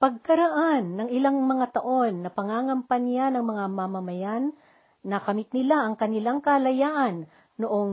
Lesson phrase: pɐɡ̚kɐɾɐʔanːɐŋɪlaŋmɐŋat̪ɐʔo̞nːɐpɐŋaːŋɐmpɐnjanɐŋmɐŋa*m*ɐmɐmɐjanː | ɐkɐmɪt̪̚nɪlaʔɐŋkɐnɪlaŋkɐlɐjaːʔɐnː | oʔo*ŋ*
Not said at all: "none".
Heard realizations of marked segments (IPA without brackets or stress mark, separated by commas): m, ŋ